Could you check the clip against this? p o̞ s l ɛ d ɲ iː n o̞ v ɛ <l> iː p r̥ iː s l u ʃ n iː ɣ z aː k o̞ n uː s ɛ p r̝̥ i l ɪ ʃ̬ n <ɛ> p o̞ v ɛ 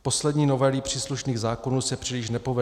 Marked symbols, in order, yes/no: yes, yes

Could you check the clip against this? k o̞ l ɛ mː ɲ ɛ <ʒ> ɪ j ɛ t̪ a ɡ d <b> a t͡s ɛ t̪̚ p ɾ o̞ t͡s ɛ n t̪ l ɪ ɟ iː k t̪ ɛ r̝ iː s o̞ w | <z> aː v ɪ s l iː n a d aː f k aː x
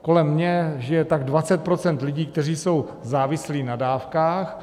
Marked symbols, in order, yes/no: yes, no, yes

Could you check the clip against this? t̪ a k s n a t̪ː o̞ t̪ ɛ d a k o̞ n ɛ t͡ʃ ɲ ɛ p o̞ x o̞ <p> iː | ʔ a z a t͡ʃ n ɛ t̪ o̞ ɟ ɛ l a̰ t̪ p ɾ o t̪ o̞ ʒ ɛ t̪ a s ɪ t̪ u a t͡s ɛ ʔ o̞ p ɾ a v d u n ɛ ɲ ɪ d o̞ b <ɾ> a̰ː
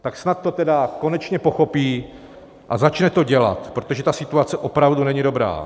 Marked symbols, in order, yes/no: yes, yes

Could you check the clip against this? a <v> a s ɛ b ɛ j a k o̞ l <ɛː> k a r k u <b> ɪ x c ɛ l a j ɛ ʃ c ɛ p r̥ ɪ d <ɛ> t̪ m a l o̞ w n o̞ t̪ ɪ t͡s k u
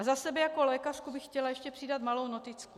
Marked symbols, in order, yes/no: no, yes, yes, no

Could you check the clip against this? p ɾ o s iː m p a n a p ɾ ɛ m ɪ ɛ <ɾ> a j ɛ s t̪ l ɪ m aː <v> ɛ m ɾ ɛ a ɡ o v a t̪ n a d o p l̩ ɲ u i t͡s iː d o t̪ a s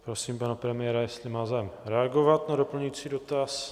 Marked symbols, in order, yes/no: yes, no

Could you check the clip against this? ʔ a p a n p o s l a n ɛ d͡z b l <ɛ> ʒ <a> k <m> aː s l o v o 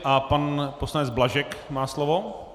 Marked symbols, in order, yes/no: no, no, yes

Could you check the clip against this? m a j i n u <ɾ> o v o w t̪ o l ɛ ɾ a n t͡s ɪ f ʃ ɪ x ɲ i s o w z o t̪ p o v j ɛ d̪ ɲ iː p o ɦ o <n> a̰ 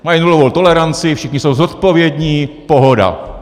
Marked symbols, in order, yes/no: no, no

